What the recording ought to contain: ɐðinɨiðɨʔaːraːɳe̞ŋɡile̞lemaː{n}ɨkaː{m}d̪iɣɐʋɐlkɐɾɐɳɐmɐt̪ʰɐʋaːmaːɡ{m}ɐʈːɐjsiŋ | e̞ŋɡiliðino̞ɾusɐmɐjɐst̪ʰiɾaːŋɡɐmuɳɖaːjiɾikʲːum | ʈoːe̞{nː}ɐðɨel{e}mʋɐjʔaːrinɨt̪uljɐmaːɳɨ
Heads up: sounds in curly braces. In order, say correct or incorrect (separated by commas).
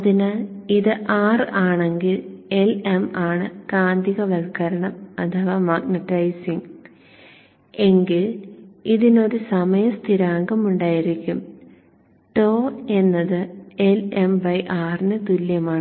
incorrect, incorrect, incorrect, correct, correct